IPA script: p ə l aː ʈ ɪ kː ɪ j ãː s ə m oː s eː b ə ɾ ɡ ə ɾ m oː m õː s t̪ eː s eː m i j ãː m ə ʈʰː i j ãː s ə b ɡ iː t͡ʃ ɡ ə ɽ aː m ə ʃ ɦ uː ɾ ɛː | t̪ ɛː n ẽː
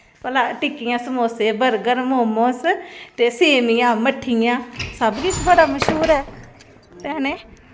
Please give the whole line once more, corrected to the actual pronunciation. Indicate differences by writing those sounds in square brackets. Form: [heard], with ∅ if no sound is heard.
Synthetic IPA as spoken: p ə l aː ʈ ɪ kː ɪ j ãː s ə m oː s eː b ə ɾ ɡ ə ɾ m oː m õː s t̪ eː s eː m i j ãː m ə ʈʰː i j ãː s ə b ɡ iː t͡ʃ [b] ə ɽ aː m ə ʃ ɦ uː ɾ ɛː | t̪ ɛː n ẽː